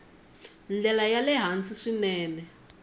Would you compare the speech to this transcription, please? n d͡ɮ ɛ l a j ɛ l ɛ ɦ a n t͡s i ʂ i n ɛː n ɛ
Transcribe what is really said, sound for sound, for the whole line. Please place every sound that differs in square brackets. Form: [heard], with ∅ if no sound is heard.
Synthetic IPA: n d͡ɮ ɛ l a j [a] l ɛ ɦ a n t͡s i ʂ i n ɛː n ɛ